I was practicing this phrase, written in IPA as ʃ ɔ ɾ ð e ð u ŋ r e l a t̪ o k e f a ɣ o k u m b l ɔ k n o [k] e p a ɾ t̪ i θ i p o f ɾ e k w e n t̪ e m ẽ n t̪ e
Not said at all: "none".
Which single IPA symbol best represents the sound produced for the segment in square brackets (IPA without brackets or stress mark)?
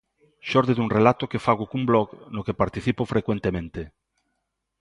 k